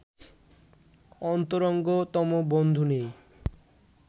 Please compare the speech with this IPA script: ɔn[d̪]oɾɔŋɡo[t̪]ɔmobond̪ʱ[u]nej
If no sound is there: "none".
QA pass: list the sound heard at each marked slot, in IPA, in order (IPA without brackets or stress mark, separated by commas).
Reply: t̪, t̪, u